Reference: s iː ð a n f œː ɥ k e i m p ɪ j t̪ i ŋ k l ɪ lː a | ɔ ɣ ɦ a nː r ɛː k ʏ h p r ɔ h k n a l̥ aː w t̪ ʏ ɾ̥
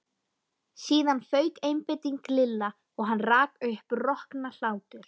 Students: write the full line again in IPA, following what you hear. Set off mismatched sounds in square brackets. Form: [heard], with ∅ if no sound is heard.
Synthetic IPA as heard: s iː ð a n f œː ɥ k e [j] m p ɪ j t̪ i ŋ k l ɪ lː a | ɔ ɣ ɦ a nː r [aː] k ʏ h p r ɔ h k n a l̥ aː w t̪ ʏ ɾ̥